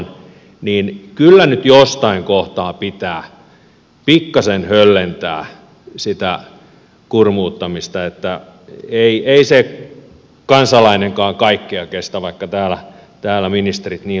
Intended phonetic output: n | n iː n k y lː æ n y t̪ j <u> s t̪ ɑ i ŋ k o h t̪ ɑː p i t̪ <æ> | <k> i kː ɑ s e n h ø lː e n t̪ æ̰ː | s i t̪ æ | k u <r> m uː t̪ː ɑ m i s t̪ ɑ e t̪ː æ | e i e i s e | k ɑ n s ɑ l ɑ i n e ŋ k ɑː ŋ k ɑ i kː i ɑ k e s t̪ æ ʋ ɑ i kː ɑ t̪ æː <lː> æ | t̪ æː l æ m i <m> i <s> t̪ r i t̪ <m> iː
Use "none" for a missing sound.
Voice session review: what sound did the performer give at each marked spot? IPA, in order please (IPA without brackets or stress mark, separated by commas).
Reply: o, æː, p, r, l, n, s, n